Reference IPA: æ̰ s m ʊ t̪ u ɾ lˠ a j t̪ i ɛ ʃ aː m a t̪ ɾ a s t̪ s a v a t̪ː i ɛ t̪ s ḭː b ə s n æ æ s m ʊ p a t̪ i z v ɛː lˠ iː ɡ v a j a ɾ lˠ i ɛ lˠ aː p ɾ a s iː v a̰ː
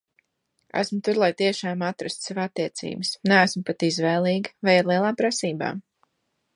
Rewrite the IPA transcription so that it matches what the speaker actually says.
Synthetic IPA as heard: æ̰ s m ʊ t̪ u ɾ lˠ a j t̪ i ɛ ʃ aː m a t̪ ɾ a s t̪ s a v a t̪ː i ɛ t̪ s ḭː b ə s n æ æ s m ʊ p a t̪ i z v ɛː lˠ iː ɡ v a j a ɾ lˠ i ɛ lˠ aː p ɾ a s iː b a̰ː